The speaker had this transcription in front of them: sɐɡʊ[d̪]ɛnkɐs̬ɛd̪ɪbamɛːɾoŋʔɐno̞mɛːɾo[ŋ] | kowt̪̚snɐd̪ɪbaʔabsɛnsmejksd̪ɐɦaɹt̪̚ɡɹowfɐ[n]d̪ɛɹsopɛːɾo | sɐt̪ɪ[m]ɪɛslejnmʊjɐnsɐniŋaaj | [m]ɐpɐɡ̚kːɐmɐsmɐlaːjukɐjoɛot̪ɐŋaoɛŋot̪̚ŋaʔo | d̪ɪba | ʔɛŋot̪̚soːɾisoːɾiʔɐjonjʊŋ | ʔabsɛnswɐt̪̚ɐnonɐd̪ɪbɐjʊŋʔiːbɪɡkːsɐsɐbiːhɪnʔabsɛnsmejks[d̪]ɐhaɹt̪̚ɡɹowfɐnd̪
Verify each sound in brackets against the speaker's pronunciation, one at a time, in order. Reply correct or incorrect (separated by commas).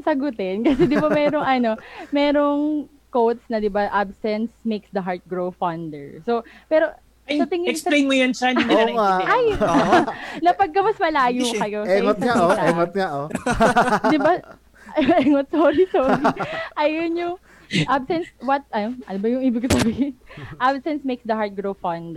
incorrect, correct, correct, incorrect, incorrect, correct